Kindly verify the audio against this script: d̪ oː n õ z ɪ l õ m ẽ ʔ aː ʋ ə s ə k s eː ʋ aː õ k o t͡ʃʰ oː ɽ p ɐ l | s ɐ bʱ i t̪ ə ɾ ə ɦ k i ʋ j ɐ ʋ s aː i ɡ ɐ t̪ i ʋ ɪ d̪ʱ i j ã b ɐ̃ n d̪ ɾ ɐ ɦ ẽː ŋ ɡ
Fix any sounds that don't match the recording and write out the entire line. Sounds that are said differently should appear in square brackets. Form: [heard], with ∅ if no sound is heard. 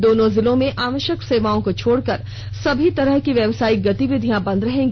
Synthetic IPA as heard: d̪ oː n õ z ɪ l õ m ẽ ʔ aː ʋ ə [ʃ] ə k s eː ʋ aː õ k o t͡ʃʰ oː ɽ [k] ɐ [ɾ] | s ɐ bʱ i t̪ [ɐ] ɾ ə ɦ k i ʋ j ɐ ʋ s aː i ɡ ɐ t̪ i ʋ ɪ d̪ʱ i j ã b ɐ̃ n d̪ ɾ ɐ ɦ ẽː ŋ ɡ

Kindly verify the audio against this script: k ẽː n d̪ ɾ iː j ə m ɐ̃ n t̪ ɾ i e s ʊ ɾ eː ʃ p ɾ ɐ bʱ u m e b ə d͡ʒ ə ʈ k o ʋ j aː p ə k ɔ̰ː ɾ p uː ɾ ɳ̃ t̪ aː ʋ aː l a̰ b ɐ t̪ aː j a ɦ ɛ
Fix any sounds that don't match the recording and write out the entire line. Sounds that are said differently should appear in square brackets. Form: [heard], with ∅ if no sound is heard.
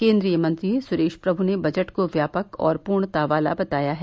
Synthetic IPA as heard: k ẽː n d̪ ɾ [i] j ə m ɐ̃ n t̪ ɾ i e s ʊ ɾ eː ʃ p ɾ ɐ bʱ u [n] e b [ɐ] d͡ʒ ə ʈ k o ʋ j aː p ə k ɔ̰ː ɾ p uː ɾ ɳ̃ t̪ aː ʋ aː l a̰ b ɐ t̪ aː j a ɦ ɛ

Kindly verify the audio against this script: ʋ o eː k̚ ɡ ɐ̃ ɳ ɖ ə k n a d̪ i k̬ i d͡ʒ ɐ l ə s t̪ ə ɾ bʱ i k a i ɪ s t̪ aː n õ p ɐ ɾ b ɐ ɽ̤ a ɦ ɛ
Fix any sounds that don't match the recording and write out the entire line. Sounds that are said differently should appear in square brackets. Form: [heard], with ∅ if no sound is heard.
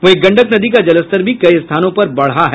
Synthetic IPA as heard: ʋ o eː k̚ ɡ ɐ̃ ɳ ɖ ə k n [ɐ] d̪ i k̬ [a] d͡ʒ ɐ l ə s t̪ ə ɾ bʱ i k [ɐ] i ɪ s [t̪ʰ] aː n õ p ɐ ɾ b ɐ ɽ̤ a ɦ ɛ

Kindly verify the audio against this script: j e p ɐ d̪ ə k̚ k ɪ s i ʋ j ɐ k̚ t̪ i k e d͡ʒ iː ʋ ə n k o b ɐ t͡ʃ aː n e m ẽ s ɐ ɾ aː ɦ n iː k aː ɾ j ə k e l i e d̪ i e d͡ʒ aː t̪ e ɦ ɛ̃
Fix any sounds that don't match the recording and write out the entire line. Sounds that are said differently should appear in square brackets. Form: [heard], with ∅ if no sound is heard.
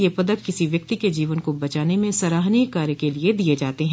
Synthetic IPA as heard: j e p ɐ d̪ ə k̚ k ɪ s i ʋ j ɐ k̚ t̪ i k e d͡ʒ iː ʋ ə n k o b ɐ t͡ʃ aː n e m ẽ s ɐ ɾ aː ɦ n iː k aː ɾ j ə k e l i e d̪ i e d͡ʒ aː t̪ e ɦ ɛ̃

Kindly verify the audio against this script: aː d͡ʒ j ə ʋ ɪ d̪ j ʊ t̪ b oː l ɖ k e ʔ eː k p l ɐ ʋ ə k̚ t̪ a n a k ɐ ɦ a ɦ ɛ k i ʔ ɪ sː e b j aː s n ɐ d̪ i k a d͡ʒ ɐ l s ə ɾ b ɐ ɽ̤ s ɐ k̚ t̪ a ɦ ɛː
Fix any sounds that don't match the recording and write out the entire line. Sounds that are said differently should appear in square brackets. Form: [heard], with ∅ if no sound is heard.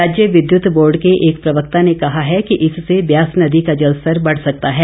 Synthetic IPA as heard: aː d͡ʒ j ə ʋ ɪ d̪ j ʊ t̪ b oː [ɾ] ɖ k e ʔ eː k p [ɾ] ɐ ʋ ə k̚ t̪ a n [e] k ɐ ɦ a ɦ ɛ k i ʔ ɪ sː e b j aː s n ɐ d̪ i k a d͡ʒ ɐ l s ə ɾ b ɐ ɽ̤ s ɐ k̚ t̪ a ɦ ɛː

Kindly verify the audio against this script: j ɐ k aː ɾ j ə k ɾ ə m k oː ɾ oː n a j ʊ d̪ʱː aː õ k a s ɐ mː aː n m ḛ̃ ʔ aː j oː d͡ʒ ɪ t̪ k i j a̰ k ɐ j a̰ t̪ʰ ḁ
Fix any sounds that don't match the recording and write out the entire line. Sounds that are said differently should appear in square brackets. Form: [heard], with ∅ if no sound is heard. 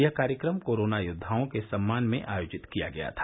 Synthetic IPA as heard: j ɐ k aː ɾ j ə k ɾ ə m k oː ɾ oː n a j ʊ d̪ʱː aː õ k [e] s ɐ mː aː n m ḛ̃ ʔ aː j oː d͡ʒ ɪ t̪ k i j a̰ [ɡ] ɐ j a̰ t̪ʰ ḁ

